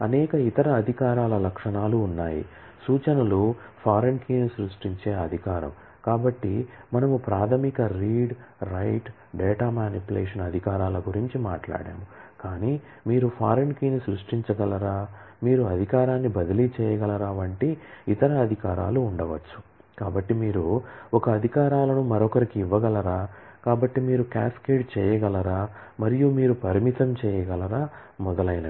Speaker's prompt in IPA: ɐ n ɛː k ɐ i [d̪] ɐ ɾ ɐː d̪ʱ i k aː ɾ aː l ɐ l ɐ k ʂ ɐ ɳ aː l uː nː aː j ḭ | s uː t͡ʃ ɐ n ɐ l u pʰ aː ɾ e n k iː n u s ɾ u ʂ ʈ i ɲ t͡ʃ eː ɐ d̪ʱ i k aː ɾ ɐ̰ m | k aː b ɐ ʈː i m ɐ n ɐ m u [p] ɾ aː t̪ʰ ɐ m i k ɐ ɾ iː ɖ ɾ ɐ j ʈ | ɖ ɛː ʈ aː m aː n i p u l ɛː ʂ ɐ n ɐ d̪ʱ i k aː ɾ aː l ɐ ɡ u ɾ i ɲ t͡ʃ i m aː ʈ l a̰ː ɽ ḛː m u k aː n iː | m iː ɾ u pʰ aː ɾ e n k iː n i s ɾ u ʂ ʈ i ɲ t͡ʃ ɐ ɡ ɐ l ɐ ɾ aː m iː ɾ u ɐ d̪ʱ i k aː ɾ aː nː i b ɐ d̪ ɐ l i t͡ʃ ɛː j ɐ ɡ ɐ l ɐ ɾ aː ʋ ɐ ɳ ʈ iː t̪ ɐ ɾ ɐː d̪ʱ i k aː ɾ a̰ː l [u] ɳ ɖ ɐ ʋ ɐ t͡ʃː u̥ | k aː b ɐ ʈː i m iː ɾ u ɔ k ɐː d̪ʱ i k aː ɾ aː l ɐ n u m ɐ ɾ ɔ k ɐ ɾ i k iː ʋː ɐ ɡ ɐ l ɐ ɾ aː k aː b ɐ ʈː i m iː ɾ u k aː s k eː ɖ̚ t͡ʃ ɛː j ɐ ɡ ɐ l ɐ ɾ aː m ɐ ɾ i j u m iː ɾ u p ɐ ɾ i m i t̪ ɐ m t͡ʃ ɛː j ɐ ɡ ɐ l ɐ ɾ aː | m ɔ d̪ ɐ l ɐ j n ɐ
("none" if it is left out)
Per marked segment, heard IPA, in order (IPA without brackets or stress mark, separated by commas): t̪, p, uː